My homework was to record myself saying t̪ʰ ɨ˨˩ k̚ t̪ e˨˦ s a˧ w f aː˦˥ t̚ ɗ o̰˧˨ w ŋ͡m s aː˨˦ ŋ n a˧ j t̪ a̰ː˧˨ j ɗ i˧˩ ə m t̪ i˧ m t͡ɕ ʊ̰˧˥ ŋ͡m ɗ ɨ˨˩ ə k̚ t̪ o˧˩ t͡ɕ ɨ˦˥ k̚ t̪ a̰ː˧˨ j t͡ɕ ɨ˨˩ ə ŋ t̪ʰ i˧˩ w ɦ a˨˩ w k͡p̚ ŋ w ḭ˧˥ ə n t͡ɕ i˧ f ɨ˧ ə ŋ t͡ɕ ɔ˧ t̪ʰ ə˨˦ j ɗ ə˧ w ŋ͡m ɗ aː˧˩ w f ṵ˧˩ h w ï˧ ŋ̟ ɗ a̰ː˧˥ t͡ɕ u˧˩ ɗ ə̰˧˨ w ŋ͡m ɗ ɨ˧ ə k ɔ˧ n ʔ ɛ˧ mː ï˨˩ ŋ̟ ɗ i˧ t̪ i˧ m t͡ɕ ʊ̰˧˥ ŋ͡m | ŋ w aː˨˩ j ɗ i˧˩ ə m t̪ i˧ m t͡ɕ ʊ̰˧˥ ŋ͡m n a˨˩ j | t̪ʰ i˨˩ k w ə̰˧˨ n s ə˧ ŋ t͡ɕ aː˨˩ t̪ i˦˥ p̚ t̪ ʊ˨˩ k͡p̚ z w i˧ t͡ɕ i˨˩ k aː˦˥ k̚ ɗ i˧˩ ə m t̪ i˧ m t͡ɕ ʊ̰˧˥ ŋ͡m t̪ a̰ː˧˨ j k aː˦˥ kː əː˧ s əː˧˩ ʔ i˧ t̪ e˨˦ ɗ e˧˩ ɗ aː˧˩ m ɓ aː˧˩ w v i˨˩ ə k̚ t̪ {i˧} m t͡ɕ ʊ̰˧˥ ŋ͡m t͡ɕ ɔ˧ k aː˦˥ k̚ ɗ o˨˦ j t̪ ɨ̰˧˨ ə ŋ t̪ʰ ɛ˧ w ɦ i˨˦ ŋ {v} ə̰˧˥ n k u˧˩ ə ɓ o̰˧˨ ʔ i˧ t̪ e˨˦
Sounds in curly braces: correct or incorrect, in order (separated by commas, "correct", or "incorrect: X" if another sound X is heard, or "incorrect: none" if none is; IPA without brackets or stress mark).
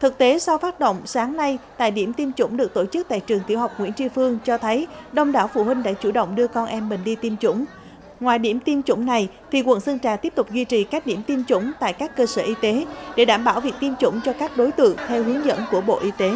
correct, incorrect: z